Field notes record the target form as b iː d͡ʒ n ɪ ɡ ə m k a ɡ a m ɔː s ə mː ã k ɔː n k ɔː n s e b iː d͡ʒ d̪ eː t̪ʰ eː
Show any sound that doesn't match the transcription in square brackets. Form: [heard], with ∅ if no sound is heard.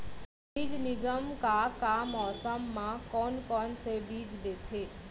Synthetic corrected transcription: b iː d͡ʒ n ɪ ɡ ə m k a [k] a m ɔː s ə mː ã k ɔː n k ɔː n s e b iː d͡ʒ d̪ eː t̪ʰ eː